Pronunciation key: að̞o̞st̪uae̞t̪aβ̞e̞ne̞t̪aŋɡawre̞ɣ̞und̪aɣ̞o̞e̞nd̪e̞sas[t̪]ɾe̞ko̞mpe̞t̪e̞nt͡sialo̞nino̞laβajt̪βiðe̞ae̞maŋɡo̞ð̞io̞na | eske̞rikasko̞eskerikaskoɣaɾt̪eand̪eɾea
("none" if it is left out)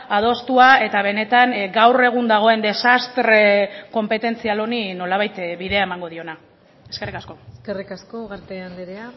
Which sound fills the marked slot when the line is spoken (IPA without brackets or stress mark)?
t̪